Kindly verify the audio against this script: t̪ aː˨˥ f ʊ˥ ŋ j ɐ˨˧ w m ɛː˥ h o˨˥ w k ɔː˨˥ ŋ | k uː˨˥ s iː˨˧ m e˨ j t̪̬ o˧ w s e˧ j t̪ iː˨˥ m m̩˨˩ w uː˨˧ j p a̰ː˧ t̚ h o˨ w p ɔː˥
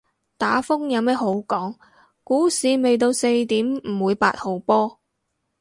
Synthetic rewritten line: t̪ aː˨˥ f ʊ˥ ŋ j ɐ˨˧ w m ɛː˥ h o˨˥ w k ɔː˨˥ ŋ | k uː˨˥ s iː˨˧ m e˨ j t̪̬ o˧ w s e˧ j t̪ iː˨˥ m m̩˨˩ w uː˨˧ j p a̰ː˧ t̚ h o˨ w p ɔː˥